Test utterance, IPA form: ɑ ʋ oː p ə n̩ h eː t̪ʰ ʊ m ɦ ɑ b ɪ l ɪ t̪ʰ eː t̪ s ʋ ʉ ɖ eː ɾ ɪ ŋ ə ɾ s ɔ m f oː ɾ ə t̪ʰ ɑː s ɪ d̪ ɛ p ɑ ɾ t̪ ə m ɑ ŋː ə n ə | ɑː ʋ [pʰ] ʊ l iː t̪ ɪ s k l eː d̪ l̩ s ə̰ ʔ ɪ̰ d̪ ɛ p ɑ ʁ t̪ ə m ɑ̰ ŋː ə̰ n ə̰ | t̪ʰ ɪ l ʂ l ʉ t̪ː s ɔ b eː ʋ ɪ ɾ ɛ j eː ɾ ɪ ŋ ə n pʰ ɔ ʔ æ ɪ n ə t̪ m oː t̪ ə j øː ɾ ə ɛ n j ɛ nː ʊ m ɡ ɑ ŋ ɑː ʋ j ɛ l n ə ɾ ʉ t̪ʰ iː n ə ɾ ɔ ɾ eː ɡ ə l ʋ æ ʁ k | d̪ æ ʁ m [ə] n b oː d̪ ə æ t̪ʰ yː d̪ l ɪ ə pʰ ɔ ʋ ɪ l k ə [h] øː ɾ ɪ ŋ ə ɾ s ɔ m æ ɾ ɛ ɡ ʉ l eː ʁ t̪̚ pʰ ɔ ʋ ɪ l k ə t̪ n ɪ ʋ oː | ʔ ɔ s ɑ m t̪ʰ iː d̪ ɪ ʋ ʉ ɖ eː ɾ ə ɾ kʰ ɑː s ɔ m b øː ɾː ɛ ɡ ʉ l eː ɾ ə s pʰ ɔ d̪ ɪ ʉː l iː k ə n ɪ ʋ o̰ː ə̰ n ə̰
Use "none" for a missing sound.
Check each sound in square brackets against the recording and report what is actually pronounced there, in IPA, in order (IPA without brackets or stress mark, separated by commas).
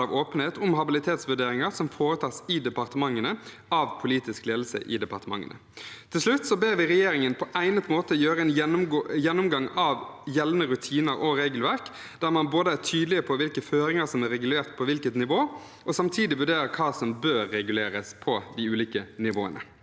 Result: pʰ, ɑ, f